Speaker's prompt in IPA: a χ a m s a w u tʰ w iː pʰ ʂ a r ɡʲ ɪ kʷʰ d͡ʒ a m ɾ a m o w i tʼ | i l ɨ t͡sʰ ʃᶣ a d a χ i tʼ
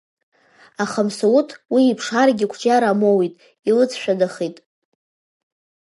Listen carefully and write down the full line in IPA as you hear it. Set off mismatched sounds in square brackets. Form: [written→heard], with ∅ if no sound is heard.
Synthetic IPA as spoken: a χ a m s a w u tʰ w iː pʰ ʂ a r ɡʲ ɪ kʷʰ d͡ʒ a [m→∅] ɾ a m o w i tʼ | i l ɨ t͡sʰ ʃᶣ a d a χ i tʼ